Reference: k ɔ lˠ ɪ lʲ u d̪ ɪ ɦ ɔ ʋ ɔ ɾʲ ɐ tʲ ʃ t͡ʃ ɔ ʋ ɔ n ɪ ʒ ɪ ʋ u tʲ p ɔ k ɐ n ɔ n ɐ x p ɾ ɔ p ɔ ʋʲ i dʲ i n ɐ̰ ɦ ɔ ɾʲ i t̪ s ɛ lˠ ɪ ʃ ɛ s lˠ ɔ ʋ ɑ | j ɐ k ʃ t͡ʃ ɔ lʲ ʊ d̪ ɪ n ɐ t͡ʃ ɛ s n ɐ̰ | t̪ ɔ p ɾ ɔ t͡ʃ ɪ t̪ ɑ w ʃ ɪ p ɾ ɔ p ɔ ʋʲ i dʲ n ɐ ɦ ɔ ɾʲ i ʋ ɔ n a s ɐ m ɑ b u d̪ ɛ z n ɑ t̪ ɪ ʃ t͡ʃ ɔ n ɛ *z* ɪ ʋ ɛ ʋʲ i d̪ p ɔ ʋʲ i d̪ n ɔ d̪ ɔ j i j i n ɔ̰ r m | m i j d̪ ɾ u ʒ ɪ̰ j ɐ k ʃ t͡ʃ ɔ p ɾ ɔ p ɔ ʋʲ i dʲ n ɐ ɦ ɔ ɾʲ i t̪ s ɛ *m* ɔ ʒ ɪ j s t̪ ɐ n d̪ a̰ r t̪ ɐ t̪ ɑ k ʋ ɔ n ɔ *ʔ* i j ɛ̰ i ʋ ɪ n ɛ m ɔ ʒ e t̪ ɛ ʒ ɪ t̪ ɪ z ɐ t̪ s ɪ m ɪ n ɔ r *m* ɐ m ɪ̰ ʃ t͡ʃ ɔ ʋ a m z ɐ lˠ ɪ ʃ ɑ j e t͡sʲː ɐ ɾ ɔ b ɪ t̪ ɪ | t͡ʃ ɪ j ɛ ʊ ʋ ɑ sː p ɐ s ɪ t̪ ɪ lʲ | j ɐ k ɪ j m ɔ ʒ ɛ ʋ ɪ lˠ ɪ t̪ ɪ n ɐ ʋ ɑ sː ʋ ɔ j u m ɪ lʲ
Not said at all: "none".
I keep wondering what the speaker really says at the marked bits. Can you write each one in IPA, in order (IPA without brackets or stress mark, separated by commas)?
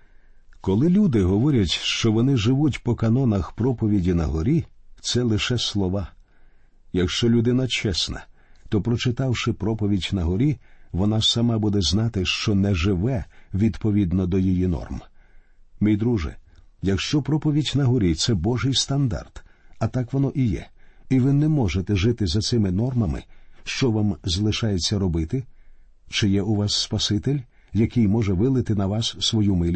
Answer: ʒ, b, ʔ, m